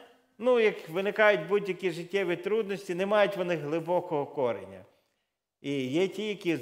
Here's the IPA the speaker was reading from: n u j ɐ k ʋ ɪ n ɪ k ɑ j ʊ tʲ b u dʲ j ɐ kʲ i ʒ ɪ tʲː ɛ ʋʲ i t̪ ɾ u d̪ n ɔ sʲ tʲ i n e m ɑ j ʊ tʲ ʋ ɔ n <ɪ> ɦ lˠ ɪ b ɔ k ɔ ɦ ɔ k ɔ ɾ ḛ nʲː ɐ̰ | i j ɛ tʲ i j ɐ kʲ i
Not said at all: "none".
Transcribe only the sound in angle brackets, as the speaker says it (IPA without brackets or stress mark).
ɪ